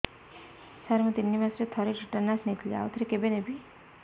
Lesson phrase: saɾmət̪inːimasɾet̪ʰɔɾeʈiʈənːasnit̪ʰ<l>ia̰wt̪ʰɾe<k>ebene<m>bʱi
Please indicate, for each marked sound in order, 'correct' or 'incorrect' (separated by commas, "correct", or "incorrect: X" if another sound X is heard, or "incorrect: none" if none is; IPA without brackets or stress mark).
correct, correct, incorrect: none